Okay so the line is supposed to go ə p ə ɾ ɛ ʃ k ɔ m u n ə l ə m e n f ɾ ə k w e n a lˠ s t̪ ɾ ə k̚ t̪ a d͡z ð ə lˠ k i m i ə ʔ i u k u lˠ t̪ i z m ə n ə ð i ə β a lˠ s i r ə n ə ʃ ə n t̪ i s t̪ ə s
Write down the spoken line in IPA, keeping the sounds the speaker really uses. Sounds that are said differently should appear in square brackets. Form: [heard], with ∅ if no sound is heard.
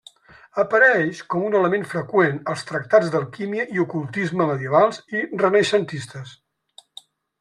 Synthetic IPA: ə p ə ɾ ɛ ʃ k ɔ m u n ə l ə m e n f ɾ ə k w e n [ə] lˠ s t̪ ɾ ə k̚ t̪ a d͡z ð ə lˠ k i m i ə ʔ i u k u lˠ t̪ i z m ə [m] ə ð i ə β a lˠ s i r ə n ə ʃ ə n t̪ i s t̪ ə s

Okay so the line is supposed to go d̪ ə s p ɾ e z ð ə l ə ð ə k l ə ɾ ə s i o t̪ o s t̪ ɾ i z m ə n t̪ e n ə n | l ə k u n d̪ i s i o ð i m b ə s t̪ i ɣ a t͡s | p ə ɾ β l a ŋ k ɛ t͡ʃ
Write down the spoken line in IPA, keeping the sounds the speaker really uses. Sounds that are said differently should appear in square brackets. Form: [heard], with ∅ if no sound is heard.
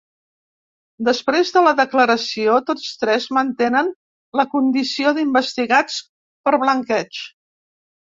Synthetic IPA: d̪ ə s p ɾ e z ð ə l ə ð ə k l ə ɾ ə s i o t̪ o [t͡s] t̪ ɾ [ɛ] z m ə n t̪ e n ə n | l ə k u n d̪ i s i o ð i m b ə s t̪ i ɣ a t͡s | p ə ɾ β l [ə] ŋ k ɛ t͡ʃ

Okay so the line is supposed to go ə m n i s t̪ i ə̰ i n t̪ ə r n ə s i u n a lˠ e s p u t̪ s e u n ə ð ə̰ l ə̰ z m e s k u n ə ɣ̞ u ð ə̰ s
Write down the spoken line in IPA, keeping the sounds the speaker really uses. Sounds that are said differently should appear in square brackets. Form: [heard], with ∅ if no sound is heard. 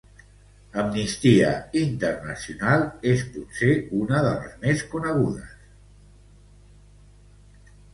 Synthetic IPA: ə m n i s t̪ i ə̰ i n t̪ ə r n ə s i u n a lˠ e s p u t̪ s e u n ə ð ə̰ l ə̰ z m e s k u n ə ɣ̞ u ð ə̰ s

